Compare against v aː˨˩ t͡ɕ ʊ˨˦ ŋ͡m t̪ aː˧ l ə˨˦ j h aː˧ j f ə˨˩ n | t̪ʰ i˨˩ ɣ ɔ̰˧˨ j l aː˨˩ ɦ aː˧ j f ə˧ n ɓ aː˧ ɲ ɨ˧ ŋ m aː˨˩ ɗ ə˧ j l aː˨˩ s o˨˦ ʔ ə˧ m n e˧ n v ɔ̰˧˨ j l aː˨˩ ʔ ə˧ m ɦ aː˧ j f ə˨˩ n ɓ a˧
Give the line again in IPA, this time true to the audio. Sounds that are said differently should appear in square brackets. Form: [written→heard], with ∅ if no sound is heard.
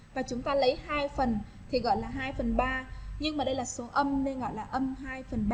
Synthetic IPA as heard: v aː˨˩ t͡ɕ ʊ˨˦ ŋ͡m t̪ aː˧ l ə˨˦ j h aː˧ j f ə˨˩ n | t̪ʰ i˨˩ ɣ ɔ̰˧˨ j l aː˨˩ ɦ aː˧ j f [ə˧→ə˨˩] n ɓ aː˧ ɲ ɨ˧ ŋ m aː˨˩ ɗ ə˧ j l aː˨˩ s o˨˦ ʔ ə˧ m n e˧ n [v→ɣ] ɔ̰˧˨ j l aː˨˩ ʔ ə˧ m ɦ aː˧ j f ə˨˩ n ɓ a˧